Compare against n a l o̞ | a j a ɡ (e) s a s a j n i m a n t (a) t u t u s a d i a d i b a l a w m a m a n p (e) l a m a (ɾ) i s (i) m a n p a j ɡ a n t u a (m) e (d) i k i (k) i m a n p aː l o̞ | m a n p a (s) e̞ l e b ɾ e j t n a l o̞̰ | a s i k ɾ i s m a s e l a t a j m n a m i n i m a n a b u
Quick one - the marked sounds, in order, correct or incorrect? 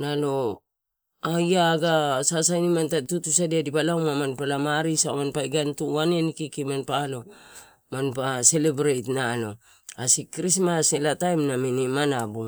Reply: incorrect: a, correct, incorrect: a, correct, incorrect: a, incorrect: n, incorrect: n, correct, correct

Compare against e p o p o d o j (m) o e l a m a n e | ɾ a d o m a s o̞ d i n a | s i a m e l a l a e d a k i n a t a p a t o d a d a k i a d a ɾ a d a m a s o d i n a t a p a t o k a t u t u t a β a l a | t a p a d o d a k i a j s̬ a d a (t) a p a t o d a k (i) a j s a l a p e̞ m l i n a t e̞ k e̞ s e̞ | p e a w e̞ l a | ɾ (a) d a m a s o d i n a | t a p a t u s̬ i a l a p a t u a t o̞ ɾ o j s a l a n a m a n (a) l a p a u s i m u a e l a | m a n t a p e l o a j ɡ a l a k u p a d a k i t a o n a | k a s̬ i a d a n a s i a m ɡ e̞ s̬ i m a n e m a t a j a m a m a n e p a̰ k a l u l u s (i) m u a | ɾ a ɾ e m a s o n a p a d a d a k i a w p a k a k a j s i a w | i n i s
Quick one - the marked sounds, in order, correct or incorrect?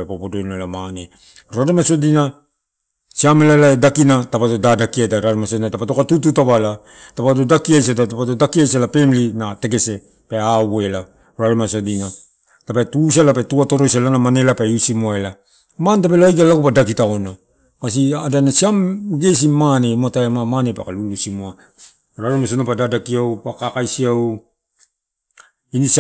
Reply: incorrect: n, correct, correct, correct, incorrect: e, correct

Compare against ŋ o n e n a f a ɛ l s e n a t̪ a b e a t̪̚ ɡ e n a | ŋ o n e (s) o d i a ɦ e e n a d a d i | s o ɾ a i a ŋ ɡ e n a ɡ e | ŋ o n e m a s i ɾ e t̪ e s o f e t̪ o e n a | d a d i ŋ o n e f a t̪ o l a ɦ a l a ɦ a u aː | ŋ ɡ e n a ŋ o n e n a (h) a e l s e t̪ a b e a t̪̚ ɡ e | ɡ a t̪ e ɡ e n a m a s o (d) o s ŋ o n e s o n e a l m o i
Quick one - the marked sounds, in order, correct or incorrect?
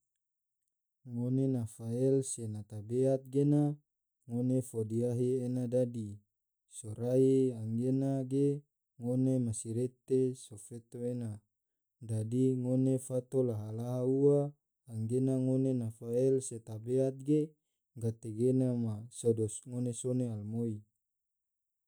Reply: incorrect: f, incorrect: f, correct

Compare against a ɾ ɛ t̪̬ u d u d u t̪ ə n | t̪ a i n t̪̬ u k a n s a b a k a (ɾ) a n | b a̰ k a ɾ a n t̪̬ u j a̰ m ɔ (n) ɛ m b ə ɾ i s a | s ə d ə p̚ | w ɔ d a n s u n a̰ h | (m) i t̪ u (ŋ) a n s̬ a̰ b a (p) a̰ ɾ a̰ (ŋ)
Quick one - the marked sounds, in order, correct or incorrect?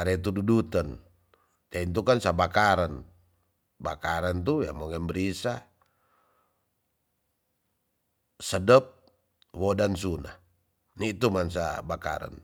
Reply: correct, incorrect: ŋ, incorrect: n, incorrect: m, incorrect: k, incorrect: n

